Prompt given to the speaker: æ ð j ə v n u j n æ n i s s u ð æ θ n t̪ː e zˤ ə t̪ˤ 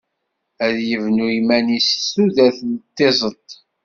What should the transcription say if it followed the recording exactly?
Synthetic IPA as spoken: æ ð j ə v n u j m æ n i s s u ð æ θ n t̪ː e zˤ ə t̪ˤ